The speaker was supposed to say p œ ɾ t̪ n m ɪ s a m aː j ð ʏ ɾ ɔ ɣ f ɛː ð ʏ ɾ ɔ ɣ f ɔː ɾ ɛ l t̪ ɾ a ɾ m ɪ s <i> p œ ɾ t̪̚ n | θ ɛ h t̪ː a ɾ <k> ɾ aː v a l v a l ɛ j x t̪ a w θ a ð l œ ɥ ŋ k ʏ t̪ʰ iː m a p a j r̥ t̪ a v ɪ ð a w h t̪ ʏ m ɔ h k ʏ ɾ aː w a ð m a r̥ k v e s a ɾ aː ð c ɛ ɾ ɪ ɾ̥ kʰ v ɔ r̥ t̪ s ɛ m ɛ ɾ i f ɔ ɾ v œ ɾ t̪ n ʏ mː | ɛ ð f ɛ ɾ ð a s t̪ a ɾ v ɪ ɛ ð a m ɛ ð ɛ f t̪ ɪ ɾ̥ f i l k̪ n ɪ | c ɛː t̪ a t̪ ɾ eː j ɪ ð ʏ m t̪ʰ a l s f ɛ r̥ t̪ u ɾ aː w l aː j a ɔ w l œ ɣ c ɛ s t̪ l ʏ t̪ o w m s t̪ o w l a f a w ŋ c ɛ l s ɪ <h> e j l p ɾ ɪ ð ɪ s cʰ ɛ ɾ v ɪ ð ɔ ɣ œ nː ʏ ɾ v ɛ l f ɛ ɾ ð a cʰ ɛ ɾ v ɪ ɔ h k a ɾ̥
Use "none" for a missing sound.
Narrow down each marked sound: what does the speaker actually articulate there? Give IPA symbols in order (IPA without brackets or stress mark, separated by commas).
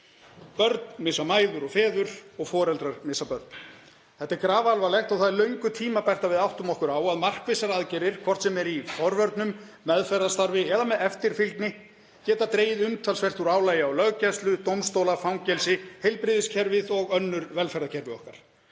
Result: a, k, h